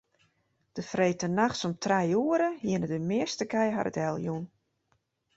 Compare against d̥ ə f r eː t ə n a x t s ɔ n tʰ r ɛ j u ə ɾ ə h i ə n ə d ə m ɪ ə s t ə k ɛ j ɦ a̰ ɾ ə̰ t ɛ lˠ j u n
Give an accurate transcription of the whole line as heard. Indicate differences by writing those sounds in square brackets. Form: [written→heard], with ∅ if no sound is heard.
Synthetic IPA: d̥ ə f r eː t ə n a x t s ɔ [n→m] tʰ r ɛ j u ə ɾ ə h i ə n ə d ə m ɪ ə s t ə k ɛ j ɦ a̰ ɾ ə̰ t ɛ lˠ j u n